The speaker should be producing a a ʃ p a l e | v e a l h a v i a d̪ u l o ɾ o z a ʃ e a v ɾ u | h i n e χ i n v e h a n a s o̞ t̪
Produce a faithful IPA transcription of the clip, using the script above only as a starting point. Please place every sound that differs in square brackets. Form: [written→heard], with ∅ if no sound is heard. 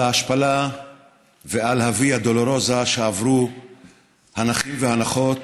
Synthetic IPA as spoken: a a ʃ p a l [e→a] | v e a l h a v i a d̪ [u→o] l o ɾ o z a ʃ e a v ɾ u | h [i→a] n [e→a] χ i [n→m] v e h a n a [s→χ] o̞ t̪